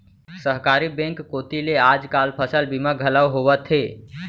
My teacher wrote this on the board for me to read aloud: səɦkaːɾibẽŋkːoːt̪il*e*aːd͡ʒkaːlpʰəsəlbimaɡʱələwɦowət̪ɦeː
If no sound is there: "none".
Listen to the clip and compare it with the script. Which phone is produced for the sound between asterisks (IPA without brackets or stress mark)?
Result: e